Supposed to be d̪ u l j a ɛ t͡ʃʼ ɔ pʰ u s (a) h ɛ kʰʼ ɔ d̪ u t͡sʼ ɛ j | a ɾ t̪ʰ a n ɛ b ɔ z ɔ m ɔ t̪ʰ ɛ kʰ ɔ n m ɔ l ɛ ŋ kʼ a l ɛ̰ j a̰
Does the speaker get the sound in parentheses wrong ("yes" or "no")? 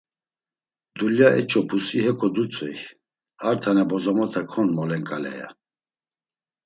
yes